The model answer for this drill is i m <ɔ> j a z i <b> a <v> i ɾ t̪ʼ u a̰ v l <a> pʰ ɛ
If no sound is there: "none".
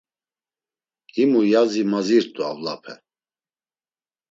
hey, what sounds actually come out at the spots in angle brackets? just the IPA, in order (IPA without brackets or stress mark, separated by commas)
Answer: u, m, z, a